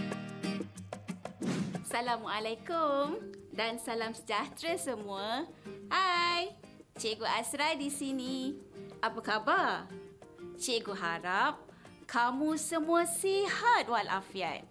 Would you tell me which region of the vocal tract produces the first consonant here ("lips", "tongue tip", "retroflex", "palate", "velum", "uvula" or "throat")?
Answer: tongue tip